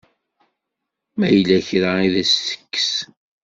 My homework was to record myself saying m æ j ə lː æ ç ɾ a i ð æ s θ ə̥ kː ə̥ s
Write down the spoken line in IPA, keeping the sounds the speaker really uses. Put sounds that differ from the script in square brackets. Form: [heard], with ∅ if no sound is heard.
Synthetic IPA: m æ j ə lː æ ç ɾ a i ð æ s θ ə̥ kː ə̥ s